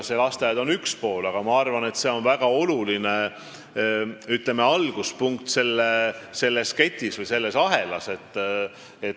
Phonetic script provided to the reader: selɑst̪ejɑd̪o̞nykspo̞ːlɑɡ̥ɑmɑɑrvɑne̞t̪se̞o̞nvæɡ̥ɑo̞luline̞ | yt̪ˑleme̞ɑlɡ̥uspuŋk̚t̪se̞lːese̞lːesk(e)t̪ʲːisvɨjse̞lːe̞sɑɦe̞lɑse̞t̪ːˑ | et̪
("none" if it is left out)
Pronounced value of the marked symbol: e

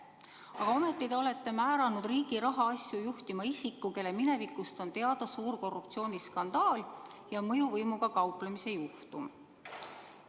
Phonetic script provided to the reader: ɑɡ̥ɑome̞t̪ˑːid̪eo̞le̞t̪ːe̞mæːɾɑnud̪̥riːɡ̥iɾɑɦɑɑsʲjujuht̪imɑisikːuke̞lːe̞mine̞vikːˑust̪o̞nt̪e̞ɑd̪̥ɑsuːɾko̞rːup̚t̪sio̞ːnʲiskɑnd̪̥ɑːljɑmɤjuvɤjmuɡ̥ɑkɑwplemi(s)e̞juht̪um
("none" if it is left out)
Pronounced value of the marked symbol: s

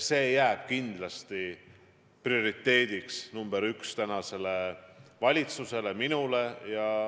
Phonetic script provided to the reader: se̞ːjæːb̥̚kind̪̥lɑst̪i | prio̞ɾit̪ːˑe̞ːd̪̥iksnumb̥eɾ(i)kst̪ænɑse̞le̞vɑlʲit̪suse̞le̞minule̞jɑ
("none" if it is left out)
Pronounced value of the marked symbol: y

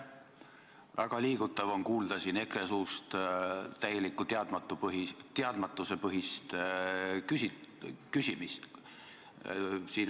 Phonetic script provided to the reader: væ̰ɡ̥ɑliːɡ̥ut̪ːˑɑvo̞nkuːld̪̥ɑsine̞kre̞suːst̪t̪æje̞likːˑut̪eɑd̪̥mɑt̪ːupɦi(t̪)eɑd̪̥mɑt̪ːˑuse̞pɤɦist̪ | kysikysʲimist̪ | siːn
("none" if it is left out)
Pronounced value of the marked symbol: t̪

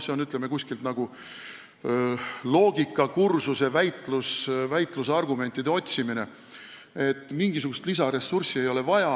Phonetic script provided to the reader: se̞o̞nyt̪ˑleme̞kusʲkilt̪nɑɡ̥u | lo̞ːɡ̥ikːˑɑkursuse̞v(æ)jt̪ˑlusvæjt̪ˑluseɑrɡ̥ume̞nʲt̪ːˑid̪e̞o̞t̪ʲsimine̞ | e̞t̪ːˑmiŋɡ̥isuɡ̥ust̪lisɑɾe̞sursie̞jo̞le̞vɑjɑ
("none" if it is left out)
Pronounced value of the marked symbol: æ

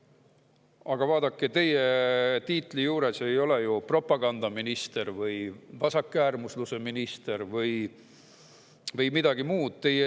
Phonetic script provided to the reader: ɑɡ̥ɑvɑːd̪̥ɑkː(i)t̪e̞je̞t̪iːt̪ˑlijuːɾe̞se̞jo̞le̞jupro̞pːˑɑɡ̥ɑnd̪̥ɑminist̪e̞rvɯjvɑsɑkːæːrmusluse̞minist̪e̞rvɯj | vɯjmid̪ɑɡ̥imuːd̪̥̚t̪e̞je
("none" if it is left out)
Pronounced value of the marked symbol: e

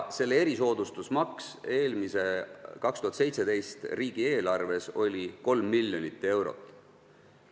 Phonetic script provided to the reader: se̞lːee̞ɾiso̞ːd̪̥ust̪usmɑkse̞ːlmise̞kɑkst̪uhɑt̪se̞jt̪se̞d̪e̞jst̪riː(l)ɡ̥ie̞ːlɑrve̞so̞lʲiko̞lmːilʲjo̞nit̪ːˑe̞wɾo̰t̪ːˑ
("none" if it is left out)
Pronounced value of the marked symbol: none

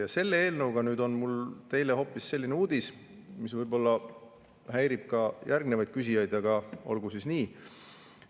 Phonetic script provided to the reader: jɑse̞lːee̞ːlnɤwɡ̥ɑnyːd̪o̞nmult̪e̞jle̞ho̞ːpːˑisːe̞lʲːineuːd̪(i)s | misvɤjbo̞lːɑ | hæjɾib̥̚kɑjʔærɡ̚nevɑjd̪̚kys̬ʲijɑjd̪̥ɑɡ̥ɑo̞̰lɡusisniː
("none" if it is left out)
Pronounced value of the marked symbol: i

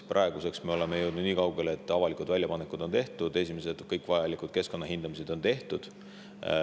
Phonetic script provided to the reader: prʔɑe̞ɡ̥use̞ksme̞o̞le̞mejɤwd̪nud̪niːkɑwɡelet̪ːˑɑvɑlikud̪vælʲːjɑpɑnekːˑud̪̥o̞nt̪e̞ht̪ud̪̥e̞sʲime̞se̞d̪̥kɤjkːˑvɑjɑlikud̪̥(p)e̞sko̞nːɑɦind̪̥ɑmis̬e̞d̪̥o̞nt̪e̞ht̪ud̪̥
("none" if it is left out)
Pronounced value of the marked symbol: k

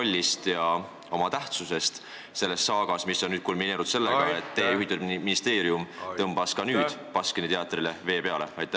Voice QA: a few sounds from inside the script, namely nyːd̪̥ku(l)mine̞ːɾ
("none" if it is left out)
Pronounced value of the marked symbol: l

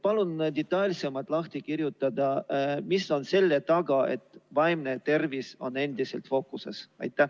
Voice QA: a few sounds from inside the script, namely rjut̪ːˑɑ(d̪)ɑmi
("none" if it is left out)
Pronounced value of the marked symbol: d̪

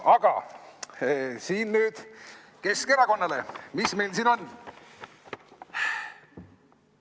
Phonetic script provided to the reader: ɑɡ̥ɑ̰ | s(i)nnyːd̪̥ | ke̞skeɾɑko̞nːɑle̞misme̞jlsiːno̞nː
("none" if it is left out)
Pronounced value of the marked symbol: iː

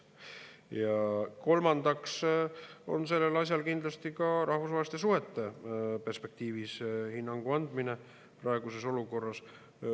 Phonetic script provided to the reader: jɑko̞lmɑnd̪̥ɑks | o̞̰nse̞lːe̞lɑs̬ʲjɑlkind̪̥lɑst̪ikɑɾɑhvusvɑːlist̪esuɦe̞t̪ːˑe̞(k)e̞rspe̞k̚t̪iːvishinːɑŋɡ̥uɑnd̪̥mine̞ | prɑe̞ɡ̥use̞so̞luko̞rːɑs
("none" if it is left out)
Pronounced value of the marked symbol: p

